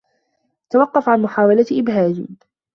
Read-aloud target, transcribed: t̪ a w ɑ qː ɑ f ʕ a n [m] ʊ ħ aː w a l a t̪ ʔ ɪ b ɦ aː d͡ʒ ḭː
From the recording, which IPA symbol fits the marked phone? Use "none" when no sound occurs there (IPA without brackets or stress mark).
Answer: m